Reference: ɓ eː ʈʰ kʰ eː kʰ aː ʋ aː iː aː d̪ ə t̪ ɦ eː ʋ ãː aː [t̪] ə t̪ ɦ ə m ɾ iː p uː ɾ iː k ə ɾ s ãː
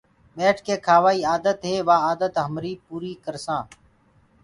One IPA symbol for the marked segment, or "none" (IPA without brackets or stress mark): d̪